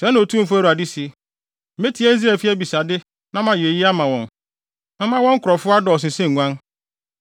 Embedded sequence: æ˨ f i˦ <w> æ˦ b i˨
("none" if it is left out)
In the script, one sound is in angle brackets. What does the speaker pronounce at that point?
none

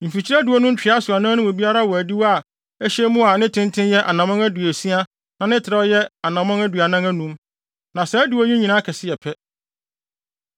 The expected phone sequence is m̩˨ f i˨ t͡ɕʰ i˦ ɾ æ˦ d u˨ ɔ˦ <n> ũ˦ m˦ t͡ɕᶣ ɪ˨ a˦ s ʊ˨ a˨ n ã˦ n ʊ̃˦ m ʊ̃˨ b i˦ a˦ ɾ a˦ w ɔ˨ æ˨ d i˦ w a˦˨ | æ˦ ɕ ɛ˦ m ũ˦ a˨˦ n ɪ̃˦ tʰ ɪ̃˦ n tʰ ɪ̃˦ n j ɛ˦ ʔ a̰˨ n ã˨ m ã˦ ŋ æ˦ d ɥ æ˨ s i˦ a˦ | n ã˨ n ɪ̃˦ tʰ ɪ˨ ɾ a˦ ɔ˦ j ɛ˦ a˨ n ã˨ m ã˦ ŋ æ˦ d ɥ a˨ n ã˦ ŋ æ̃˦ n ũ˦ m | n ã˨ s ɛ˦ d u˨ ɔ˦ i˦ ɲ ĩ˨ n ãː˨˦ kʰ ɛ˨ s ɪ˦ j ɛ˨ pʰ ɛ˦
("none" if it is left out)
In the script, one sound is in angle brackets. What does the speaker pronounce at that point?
n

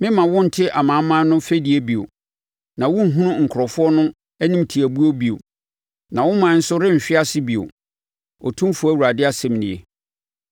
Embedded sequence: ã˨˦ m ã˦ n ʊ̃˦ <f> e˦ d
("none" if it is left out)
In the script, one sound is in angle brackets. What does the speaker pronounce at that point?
f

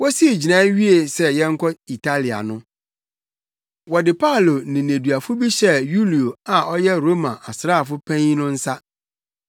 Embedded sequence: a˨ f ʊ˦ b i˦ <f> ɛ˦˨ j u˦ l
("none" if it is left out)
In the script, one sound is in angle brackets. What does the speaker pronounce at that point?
ɕ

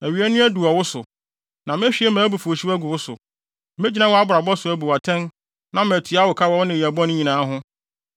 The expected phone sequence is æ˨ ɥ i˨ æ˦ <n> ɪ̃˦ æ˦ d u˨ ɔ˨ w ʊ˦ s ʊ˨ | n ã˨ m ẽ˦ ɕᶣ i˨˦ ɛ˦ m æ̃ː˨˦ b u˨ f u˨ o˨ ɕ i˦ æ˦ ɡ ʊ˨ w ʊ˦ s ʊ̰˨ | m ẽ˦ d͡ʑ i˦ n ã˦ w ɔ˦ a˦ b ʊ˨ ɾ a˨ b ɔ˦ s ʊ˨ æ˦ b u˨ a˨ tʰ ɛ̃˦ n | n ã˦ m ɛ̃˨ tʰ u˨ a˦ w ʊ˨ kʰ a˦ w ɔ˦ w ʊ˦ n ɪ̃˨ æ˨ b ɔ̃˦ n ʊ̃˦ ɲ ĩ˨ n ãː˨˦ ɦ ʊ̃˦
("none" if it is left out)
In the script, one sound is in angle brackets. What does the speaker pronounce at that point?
n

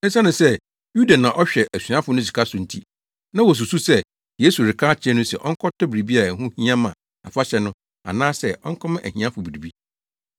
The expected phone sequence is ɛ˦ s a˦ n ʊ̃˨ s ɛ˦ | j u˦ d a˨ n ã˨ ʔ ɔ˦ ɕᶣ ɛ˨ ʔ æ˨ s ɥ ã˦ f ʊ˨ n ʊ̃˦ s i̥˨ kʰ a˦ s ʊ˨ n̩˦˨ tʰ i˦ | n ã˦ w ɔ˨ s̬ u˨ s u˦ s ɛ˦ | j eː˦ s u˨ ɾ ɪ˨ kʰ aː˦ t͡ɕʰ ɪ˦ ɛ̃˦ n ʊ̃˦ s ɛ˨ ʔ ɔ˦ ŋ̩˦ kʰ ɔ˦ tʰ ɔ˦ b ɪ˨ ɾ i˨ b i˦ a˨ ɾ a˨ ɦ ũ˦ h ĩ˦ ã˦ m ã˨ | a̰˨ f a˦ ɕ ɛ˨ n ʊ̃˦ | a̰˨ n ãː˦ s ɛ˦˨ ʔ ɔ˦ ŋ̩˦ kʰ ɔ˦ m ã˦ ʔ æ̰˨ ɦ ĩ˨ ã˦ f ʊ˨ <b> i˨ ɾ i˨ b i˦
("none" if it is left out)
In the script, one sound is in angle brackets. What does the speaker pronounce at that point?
b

